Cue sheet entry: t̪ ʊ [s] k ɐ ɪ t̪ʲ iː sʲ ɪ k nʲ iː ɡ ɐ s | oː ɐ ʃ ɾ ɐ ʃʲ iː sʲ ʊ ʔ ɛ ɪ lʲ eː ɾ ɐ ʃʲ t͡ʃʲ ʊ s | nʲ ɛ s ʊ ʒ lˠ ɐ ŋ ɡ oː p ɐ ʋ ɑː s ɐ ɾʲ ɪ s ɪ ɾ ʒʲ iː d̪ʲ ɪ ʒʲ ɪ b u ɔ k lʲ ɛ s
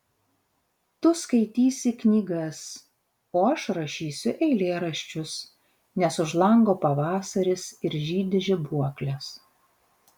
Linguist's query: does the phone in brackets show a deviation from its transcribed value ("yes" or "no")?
no